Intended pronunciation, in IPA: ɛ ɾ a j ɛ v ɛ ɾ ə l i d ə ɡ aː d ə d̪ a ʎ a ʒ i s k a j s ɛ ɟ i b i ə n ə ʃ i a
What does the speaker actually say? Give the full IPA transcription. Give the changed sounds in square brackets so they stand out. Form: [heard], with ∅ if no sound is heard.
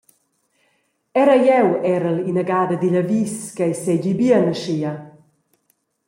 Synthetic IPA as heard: ɛ ɾ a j ɛ [w] ɛ ɾ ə l i [n] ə ɡ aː d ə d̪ [i] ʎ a [v] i s k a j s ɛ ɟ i b i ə n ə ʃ i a